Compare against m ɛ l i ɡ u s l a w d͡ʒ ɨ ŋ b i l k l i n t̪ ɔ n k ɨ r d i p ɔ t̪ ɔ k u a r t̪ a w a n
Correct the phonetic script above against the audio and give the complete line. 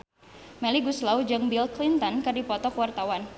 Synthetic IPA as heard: m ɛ l i ɡ u s l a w d͡ʒ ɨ ŋ b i l k l i n t̪ ɔ n k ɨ r d i p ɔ t̪ ɔ k w a r t̪ a w a n